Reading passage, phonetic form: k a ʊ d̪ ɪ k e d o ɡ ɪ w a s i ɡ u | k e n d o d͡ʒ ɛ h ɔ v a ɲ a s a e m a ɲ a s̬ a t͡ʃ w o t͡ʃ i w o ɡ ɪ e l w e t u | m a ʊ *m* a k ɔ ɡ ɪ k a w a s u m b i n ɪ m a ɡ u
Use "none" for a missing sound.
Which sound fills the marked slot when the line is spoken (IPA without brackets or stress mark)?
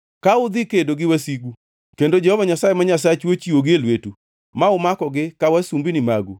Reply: m